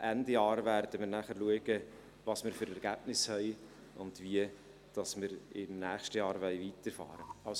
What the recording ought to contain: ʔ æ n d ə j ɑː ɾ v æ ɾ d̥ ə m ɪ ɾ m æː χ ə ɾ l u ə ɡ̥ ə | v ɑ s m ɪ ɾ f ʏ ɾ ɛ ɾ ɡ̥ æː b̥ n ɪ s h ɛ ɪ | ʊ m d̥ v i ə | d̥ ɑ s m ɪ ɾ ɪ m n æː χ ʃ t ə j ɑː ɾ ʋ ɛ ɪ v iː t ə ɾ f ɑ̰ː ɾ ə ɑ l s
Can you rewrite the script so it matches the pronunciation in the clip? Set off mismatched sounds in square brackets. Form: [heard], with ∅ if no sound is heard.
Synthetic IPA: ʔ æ n d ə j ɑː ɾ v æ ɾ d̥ ə m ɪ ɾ [n] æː χ ə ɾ l u ə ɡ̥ ə | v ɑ s m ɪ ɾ f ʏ ɾ ɛ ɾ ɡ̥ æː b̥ n ɪ s h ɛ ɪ | ʊ [n] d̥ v i ə | d̥ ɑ s m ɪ ɾ ɪ m n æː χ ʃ t ə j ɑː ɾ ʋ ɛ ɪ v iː t ə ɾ f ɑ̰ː ɾ ə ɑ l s